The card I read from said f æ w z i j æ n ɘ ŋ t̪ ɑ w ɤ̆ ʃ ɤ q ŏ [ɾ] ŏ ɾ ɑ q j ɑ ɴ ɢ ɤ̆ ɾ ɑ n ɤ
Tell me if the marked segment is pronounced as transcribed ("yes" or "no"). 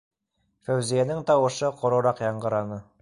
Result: yes